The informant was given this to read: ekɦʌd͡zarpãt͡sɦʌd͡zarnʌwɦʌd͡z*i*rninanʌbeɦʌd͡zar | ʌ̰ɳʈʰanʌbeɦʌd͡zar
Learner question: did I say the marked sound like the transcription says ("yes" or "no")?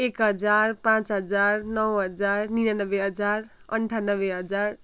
no